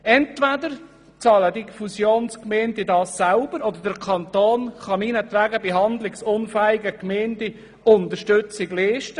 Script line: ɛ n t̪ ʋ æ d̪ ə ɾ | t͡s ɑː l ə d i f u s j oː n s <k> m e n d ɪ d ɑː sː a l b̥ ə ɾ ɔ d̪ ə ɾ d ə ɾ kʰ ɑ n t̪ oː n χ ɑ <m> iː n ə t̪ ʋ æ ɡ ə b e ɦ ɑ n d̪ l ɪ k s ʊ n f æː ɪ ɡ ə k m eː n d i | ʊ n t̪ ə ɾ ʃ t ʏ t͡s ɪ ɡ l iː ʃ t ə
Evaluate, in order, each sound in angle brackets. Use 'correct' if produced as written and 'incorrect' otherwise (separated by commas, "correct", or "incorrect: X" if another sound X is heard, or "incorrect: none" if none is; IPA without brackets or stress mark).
correct, correct